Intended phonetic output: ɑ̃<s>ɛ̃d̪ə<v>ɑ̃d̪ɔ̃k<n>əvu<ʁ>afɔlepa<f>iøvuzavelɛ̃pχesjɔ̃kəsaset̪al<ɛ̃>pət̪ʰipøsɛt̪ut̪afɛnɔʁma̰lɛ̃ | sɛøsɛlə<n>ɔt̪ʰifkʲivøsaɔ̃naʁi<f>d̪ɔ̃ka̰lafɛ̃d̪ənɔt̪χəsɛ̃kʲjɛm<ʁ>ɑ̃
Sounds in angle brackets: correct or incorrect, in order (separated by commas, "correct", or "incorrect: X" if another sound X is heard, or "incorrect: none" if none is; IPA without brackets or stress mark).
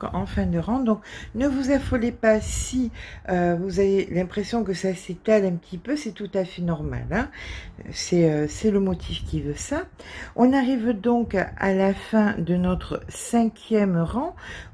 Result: incorrect: f, incorrect: ʁ, correct, incorrect: z, incorrect: s, correct, incorrect: m, incorrect: v, correct